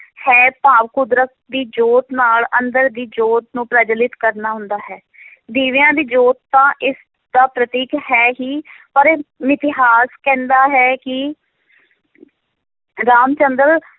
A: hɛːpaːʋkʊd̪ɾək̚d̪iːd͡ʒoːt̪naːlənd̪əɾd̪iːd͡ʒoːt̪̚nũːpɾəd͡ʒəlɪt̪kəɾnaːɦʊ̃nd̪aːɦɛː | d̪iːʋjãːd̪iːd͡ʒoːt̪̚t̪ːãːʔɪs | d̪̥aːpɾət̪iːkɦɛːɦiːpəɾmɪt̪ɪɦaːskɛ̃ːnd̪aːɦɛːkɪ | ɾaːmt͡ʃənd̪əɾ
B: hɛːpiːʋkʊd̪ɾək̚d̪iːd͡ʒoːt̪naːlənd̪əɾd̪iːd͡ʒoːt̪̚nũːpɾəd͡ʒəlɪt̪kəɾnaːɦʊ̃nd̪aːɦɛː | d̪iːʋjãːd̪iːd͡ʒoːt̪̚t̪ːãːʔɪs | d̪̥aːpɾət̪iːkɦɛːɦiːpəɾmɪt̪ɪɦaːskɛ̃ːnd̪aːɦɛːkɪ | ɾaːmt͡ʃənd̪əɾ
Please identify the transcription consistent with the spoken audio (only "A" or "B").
A